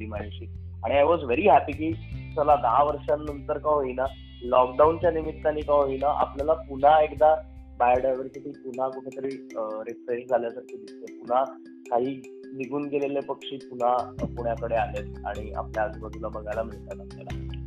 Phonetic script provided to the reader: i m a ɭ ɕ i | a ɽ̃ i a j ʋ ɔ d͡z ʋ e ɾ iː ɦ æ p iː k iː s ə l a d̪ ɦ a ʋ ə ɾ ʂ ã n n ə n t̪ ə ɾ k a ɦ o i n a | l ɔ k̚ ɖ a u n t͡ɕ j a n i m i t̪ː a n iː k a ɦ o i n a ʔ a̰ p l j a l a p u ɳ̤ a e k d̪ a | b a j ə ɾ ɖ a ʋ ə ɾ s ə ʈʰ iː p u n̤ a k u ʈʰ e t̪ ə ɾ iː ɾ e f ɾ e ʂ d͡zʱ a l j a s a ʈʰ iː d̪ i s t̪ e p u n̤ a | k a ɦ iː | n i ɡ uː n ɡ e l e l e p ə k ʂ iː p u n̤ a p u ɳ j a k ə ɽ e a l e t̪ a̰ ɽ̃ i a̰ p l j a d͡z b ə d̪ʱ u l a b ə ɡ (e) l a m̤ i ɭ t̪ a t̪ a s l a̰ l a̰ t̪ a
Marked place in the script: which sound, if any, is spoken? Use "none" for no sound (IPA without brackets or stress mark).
a